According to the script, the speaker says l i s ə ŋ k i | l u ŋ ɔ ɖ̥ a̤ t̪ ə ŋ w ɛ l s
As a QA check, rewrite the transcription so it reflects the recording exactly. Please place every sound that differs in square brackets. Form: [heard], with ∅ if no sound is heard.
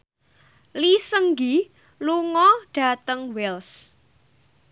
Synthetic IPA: l i s ə ŋ [ɡ] i | l u ŋ ɔ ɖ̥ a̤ t̪ ə ŋ w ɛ l s